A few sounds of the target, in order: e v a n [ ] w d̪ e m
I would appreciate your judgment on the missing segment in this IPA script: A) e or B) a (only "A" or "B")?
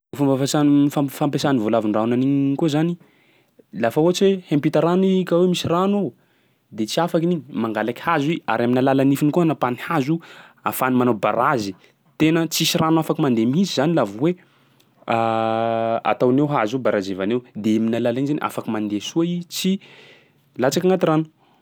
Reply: A